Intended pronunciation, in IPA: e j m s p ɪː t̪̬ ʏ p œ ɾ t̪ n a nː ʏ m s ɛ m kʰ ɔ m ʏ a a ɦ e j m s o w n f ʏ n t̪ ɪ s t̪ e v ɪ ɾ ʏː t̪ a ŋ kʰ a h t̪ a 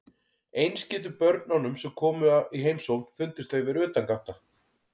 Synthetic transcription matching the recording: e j n s c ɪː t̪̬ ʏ p œ ɾ t̪ n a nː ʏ m s ɛ m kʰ ɔː m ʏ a i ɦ e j m s o w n f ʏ n t̪ ɪ s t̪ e v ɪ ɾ ʏː t̪ a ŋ k a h t̪ a